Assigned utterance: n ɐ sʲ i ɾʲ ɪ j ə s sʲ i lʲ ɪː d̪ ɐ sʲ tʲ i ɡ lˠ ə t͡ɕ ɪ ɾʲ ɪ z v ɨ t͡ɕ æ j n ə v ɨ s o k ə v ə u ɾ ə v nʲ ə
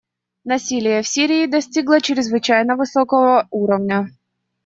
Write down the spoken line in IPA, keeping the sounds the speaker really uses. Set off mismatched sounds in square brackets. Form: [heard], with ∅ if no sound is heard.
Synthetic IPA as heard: n ɐ sʲ i [lʲ] ɪ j ə [f] sʲ i [ɾʲ] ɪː d̪ ɐ sʲ tʲ i ɡ lˠ ə t͡ɕ ɪ ɾʲ ɪ z v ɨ t͡ɕ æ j n ə v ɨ s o k ə v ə u ɾ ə v nʲ ə